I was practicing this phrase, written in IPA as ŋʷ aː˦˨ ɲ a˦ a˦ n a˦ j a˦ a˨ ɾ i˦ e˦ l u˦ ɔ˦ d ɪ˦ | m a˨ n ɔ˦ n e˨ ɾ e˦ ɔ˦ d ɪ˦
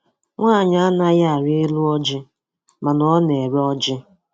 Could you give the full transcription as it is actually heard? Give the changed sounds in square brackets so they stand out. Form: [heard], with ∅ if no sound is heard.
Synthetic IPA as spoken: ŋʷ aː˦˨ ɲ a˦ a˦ n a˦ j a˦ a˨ ɾ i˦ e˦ l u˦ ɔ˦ [d͡ʒ] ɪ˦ | m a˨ n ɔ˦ n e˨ ɾ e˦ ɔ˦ [d͡ʒ] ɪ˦